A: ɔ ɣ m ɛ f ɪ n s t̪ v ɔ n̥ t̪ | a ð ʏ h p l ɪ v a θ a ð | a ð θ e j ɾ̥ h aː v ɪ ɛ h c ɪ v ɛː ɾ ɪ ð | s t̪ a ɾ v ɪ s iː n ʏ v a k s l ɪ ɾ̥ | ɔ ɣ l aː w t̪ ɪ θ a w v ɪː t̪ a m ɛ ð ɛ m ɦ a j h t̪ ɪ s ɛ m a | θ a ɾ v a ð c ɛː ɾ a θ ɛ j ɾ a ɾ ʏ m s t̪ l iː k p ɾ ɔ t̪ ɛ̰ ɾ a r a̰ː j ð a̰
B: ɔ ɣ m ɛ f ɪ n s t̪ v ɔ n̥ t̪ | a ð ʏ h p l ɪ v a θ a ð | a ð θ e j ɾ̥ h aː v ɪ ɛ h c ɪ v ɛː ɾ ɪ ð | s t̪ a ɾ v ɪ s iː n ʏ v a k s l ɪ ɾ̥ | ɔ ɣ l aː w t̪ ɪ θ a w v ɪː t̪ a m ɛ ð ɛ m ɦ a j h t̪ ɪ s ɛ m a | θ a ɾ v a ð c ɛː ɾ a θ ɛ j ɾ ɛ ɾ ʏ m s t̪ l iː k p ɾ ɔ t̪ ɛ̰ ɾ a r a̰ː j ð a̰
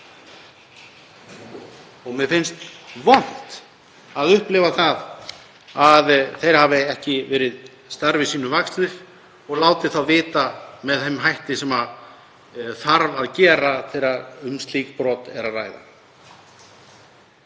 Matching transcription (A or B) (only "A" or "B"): A